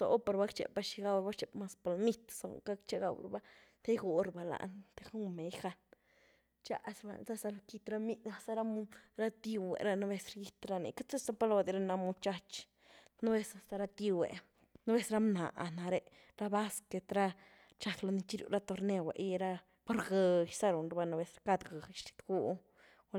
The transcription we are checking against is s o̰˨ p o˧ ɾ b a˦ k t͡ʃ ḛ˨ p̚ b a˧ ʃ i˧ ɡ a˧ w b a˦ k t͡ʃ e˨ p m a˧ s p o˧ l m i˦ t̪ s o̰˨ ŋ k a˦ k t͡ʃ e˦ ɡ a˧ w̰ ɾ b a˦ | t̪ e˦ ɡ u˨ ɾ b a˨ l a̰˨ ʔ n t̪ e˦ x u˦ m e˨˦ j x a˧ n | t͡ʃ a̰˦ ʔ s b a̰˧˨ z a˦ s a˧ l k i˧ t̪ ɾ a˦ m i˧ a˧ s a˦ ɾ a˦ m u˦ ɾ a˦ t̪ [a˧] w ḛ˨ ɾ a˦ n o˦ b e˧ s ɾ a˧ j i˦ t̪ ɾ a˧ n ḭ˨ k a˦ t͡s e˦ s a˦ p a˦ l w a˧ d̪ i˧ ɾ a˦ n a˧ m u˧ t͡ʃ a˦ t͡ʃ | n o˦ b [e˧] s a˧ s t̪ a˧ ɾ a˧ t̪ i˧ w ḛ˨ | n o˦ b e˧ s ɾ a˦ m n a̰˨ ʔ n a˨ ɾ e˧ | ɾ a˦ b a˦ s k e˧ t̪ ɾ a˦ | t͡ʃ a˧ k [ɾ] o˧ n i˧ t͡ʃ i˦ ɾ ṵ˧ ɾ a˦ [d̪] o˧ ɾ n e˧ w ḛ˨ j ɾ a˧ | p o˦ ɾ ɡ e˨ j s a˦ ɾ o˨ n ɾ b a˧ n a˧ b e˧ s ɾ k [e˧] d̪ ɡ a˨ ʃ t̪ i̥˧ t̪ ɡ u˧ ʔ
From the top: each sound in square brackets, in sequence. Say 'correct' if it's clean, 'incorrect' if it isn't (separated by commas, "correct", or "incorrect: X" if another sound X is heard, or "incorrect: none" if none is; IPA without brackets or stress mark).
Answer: incorrect: i˧, correct, incorrect: l, incorrect: t̪, incorrect: a˧